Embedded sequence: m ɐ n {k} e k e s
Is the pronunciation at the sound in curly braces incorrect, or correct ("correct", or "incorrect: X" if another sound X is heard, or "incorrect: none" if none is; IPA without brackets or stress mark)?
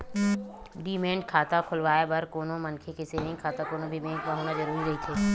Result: incorrect: kʰ